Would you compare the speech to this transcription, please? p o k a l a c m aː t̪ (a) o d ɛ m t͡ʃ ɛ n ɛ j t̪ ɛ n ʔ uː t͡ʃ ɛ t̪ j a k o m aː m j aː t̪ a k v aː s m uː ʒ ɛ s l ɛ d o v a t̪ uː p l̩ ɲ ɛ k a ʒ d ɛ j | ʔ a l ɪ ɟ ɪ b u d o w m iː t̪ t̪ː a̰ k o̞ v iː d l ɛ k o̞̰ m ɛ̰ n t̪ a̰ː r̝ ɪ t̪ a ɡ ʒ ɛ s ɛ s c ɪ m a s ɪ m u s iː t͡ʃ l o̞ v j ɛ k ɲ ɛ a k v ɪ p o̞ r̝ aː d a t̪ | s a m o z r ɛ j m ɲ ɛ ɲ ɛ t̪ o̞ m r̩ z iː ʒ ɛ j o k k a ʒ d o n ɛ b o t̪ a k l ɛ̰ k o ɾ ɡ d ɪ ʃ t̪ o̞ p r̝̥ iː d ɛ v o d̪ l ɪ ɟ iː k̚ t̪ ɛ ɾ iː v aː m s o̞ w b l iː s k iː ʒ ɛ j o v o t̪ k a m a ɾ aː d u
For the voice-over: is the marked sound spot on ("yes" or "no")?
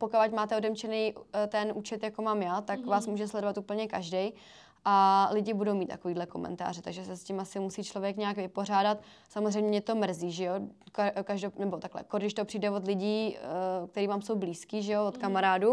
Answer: no